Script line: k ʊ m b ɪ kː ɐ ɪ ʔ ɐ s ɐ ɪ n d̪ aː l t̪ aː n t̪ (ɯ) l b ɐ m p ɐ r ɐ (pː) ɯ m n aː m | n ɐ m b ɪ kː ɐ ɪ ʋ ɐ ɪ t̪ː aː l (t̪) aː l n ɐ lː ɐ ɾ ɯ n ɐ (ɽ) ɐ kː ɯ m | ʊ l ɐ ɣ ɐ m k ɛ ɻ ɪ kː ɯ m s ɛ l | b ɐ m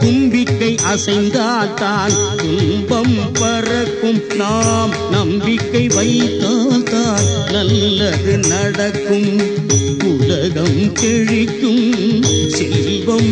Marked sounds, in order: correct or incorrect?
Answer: incorrect, incorrect, correct, correct

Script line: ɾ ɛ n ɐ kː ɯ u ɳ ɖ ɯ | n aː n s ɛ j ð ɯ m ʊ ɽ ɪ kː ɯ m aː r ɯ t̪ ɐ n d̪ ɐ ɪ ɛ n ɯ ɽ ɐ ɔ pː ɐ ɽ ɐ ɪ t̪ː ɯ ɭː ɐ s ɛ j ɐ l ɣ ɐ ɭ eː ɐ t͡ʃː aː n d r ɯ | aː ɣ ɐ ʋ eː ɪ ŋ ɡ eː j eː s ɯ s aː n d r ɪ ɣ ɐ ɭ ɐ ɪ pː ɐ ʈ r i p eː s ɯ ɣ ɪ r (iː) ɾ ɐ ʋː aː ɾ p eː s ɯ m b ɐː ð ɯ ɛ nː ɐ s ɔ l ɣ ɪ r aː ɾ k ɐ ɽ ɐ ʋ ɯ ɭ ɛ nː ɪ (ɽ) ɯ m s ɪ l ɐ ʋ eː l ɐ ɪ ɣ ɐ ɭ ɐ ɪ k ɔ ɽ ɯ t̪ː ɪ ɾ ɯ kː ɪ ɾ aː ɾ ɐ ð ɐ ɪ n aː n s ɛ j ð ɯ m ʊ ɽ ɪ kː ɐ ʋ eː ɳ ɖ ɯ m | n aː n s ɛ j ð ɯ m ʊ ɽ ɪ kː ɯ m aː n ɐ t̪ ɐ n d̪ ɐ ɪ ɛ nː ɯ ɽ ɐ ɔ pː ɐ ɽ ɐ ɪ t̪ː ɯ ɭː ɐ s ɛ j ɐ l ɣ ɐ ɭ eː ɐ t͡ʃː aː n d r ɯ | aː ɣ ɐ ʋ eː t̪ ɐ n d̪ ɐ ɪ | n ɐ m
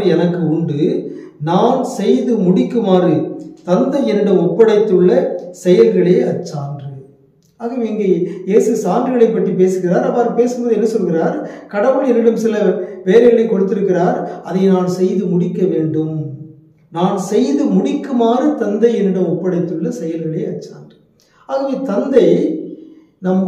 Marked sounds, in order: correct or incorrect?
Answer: incorrect, correct

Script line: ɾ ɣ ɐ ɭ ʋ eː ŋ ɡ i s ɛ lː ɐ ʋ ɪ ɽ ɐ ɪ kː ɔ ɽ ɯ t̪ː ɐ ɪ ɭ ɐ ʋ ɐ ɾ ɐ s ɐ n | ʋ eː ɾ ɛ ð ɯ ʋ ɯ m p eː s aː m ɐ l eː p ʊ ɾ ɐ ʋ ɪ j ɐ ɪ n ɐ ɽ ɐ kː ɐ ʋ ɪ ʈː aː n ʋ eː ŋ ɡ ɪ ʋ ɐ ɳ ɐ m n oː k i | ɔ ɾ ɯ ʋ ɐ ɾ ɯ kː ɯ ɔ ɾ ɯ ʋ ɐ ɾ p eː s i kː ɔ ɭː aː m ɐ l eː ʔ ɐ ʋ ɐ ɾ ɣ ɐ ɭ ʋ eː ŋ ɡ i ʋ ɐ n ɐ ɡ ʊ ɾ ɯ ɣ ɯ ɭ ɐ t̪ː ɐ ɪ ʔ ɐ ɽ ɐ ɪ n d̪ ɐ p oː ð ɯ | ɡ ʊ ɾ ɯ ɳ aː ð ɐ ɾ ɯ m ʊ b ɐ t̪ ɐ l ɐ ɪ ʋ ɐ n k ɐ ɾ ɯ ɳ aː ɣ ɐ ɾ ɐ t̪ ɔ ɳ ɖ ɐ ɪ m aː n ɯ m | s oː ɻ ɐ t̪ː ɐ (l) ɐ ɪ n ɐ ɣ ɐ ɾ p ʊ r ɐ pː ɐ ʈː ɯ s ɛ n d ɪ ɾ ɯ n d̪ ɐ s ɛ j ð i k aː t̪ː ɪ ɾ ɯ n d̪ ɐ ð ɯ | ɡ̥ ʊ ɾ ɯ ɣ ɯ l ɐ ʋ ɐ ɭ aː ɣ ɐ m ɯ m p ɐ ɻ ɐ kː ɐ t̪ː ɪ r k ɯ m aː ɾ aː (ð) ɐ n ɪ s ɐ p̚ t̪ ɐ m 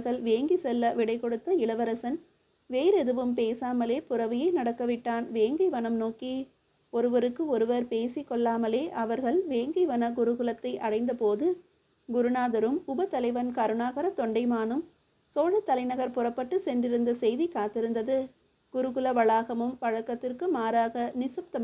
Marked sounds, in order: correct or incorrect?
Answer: correct, incorrect

